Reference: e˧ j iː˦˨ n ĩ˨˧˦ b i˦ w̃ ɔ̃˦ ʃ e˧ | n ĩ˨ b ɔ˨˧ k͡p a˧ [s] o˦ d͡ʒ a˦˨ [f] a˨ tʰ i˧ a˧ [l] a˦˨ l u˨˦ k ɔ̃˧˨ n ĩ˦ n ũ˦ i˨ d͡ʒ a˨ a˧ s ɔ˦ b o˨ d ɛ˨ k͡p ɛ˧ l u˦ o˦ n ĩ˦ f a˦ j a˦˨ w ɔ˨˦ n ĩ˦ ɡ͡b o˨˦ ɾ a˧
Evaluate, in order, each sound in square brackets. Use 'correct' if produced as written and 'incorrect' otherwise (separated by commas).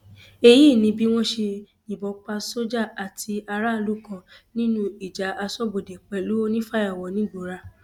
correct, incorrect, incorrect